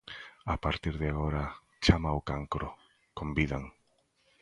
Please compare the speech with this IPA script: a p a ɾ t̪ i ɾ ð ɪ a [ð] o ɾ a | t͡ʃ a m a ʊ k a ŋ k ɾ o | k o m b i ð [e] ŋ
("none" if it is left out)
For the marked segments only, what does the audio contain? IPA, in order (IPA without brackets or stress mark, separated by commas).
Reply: ɣ, a